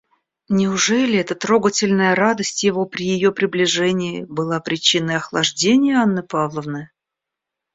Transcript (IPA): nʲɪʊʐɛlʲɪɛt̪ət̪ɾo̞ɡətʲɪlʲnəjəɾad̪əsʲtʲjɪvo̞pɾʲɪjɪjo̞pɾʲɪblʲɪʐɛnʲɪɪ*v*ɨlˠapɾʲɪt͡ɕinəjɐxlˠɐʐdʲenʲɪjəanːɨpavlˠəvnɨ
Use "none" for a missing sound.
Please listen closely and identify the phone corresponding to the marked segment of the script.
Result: b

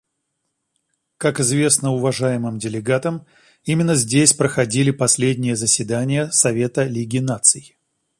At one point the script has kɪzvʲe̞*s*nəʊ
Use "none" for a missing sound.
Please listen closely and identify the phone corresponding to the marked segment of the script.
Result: s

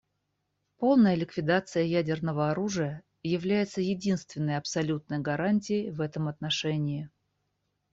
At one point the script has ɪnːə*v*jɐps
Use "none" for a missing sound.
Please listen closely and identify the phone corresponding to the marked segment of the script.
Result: none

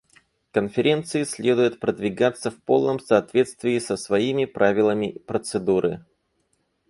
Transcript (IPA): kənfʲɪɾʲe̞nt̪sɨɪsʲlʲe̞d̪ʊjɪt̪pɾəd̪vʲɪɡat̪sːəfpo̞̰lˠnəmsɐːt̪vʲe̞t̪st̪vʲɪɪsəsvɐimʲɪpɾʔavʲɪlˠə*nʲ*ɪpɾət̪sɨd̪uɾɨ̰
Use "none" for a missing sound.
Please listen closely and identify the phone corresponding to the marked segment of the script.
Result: mʲ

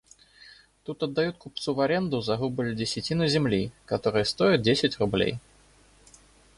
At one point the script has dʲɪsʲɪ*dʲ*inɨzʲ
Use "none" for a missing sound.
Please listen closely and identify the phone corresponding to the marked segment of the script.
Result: tʲ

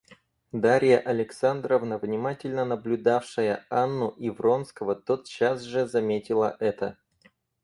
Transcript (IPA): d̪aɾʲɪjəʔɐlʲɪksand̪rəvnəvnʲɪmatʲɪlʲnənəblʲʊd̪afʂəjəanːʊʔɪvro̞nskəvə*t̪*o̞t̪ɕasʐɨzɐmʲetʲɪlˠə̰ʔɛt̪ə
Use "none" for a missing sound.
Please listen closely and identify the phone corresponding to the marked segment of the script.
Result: t̪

